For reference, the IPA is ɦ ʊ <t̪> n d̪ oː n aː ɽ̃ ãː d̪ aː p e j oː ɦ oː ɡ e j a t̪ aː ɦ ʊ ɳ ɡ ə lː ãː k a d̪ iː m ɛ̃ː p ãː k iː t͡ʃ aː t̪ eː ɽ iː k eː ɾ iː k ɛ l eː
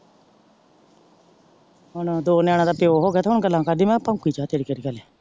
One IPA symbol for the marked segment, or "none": none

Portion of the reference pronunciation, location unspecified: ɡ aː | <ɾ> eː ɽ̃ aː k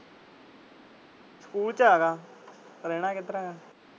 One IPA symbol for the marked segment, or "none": ɾ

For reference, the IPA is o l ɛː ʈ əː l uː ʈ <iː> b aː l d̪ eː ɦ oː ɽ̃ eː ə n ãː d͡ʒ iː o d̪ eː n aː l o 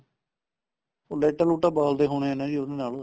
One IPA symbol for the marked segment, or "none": aː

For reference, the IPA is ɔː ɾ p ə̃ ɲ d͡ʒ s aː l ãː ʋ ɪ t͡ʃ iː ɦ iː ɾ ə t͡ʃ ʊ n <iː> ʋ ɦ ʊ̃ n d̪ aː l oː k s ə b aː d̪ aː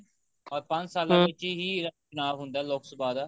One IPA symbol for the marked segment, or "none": aː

